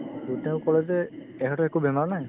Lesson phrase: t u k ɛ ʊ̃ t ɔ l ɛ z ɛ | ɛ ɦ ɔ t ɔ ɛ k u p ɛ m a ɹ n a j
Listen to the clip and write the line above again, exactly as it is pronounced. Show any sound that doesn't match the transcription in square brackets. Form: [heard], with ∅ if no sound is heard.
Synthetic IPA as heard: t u [t] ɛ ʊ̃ [k] ɔ l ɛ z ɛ | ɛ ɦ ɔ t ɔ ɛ k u [b] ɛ m a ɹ n a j

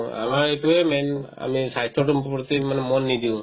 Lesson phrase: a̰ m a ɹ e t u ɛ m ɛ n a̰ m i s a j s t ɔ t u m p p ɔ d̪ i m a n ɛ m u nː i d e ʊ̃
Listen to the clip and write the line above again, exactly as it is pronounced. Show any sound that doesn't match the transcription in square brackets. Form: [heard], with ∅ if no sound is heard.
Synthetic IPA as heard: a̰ m a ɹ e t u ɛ m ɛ n a̰ m i s a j s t ɔ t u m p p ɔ [t̪] i m a n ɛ m [ɔ] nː i d [i] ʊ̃

